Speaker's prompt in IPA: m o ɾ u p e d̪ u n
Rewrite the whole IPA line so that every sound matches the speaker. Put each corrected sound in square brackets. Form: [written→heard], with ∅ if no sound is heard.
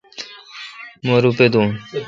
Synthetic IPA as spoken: m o ɾ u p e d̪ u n